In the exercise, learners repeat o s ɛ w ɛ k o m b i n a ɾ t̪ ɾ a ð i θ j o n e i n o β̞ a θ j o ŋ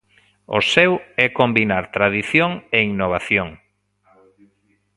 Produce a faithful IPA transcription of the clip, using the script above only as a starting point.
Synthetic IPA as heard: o s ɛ w ɛ k o m b i n a ɾ t̪ ɾ a ð i θ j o ŋ e i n o β̞ a θ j o ŋ